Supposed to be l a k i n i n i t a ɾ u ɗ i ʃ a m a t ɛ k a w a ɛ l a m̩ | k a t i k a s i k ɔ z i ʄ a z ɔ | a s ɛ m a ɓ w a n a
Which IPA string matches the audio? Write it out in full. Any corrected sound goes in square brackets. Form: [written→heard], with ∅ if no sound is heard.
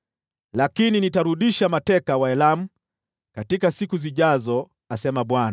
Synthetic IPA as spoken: l a k i n i n i t a ɾ u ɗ i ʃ a m a t ɛ k a w a ɛ l a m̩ | k a t i k a s i k [ɔ→u] z i ʄ a z ɔ | a s ɛ m a ɓ w a n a